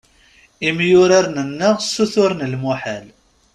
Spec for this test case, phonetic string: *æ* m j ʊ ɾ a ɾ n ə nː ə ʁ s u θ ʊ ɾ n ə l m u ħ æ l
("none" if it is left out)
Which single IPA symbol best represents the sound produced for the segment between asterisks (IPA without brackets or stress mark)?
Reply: i